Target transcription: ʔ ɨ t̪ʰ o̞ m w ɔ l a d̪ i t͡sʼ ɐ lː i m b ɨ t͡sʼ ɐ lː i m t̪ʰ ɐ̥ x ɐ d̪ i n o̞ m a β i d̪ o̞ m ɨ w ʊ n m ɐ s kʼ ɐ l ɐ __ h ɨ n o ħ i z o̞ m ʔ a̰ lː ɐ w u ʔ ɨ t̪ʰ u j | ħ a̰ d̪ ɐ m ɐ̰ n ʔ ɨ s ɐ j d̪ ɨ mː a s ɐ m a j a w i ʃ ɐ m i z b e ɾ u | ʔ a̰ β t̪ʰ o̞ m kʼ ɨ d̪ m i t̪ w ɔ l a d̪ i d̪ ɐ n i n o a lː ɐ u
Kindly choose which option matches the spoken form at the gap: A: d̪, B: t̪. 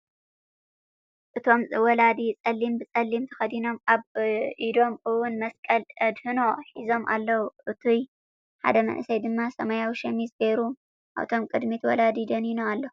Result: A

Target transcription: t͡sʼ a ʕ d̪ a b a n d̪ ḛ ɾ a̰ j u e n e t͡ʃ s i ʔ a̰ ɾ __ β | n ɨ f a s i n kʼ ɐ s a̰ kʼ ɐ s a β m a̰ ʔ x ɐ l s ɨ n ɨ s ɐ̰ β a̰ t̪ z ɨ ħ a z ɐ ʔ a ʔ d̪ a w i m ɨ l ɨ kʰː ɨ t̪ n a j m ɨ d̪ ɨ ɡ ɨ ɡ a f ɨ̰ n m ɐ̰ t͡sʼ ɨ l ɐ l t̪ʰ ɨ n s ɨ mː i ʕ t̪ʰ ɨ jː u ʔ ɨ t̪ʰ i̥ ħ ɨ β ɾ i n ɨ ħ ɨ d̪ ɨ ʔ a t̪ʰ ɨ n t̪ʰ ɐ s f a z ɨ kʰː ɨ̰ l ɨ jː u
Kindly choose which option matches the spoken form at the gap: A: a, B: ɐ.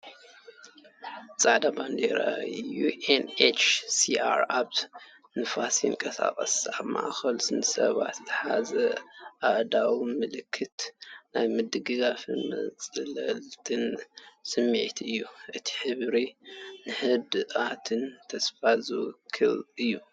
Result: A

